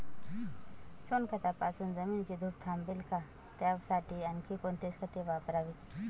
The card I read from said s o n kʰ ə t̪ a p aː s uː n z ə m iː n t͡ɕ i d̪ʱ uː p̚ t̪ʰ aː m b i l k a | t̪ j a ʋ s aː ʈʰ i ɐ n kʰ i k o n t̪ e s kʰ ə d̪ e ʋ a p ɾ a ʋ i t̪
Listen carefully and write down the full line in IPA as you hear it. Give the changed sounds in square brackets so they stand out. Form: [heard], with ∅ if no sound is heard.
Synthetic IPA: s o n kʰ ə t̪ a p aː s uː n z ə m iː n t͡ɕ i d̪ʱ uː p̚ t̪ʰ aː m b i l k a | t̪ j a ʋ s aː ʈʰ i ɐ n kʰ i k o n t̪ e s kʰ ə [t̪] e ʋ a p ɾ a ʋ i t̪